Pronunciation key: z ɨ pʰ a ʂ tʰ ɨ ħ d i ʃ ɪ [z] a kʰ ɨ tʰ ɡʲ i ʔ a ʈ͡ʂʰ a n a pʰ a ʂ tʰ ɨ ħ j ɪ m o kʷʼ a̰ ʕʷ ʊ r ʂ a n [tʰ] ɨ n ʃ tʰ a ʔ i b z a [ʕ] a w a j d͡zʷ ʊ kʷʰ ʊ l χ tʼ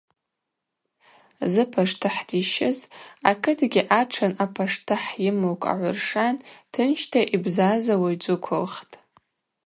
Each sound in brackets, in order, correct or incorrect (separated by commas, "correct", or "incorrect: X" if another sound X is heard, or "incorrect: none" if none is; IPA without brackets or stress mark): correct, correct, incorrect: z